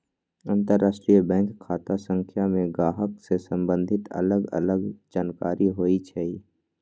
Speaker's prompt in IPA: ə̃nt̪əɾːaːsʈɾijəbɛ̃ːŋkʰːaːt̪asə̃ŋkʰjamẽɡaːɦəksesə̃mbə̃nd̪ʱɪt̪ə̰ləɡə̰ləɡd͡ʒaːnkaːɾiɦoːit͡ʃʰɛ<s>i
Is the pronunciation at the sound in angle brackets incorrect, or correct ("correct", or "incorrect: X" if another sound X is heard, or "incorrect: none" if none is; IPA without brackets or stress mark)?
incorrect: none